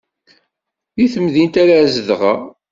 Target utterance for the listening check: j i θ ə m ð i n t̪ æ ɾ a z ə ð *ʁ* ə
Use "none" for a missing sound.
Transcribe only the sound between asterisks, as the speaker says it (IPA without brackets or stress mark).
ʁ